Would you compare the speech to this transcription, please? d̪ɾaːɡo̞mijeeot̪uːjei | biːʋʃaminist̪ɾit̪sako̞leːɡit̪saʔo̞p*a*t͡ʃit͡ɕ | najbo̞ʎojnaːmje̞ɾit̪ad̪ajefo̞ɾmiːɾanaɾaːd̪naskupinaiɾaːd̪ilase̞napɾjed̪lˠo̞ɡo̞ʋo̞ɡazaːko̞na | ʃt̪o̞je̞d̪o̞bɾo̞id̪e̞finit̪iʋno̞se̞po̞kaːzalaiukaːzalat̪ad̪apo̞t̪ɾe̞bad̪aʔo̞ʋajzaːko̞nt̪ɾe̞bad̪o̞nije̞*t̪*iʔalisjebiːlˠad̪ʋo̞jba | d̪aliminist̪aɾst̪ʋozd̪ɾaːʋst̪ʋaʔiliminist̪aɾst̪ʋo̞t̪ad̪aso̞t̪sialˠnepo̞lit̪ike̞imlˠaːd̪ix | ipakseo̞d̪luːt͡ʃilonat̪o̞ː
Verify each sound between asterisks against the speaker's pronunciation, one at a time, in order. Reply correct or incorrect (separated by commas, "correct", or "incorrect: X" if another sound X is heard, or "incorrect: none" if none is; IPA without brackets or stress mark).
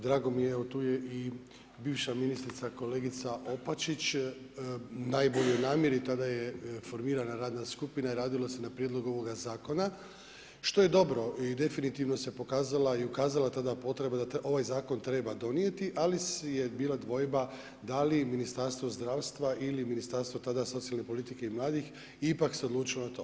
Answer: correct, correct